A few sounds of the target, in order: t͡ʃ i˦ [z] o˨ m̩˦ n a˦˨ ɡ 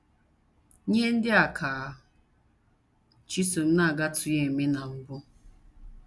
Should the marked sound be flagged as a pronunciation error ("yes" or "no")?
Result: yes